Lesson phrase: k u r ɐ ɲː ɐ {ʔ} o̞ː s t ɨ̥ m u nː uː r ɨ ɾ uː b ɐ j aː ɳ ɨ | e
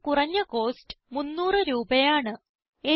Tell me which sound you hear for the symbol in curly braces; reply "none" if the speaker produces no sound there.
k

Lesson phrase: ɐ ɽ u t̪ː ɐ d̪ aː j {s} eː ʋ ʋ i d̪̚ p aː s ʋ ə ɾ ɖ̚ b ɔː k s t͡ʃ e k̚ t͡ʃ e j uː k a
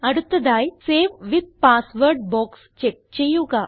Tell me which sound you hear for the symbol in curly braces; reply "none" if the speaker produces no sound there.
s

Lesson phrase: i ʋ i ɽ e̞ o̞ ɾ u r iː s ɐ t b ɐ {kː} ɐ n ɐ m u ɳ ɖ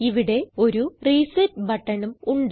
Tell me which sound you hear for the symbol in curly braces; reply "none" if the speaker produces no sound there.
ʈː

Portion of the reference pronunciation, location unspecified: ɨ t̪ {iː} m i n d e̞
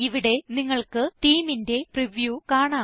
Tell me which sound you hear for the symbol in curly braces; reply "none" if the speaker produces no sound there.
iː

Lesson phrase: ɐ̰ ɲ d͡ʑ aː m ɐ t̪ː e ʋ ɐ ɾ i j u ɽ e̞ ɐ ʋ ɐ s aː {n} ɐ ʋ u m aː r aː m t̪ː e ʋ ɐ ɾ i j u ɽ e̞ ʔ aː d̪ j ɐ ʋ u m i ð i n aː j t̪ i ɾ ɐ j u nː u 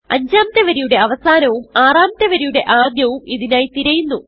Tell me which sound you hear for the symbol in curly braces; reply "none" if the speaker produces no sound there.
n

